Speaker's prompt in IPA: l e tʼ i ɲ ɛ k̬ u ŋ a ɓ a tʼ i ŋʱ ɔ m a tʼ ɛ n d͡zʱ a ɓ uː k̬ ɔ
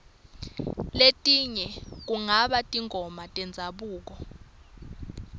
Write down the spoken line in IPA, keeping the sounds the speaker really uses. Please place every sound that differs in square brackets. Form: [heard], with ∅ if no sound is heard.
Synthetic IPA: l e tʼ i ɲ ɛ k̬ u ŋ a ɓ a tʼ i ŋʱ ɔ m a tʼ ɛ n d͡zʱ a ɓ uː k̬ ɔ